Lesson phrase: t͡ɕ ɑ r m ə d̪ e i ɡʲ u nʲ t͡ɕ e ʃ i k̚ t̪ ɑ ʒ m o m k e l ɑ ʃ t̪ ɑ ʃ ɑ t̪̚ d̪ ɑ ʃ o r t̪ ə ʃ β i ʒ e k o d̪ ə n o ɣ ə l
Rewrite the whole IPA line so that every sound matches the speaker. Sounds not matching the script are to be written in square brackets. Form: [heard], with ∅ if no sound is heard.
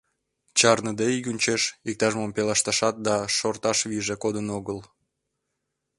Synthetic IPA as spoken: t͡ɕ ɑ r [n] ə d̪ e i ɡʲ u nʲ t͡ɕ e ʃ i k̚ t̪ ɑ ʒ m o m [p] e l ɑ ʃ t̪ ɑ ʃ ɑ t̪̚ d̪ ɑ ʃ o r t̪ [ɑ] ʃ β i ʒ e k o d̪ ə n o ɣ ə l